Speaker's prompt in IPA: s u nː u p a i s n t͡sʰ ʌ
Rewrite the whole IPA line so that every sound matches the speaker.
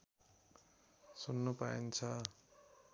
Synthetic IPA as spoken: s u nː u p a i n t͡sʰ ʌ